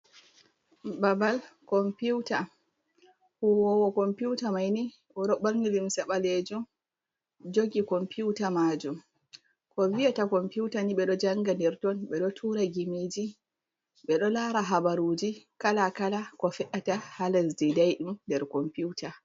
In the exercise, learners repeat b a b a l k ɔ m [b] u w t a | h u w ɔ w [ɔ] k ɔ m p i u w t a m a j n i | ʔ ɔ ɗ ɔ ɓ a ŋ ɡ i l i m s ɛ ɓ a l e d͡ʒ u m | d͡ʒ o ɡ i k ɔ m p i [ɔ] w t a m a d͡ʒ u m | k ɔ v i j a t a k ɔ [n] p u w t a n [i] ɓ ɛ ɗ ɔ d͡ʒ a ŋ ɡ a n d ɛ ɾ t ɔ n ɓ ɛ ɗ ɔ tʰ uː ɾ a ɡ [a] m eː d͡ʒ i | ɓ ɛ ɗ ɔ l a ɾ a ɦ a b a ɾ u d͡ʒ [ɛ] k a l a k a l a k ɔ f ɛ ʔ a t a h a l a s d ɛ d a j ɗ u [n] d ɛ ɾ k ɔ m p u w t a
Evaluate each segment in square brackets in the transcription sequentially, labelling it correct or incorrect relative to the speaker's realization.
incorrect, correct, incorrect, incorrect, correct, incorrect, incorrect, incorrect

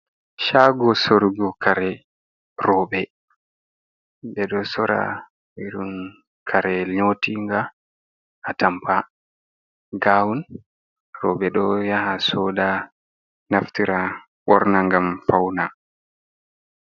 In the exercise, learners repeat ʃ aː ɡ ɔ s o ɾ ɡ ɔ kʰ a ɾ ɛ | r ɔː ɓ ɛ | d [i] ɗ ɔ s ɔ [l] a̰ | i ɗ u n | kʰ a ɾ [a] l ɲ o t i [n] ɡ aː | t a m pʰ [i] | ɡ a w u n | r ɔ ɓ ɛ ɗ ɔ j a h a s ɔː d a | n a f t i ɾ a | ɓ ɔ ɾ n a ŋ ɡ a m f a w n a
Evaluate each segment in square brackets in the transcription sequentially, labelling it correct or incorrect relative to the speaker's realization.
incorrect, incorrect, incorrect, incorrect, incorrect

